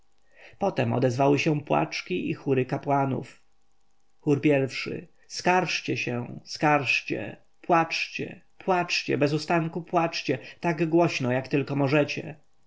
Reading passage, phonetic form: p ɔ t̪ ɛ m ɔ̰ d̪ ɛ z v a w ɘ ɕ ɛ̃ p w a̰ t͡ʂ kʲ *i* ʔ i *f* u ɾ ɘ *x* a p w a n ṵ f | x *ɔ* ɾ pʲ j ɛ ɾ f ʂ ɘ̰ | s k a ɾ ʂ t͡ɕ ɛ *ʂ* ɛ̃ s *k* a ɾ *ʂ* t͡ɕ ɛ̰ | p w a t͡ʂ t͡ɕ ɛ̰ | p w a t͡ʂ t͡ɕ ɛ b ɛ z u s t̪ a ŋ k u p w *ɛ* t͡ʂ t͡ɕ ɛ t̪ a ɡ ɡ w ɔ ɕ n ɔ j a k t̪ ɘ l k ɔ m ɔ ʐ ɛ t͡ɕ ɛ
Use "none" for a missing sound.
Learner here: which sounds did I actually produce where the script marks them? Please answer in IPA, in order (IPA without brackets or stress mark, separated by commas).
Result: i, x, k, u, ɕ, k, ʂ, a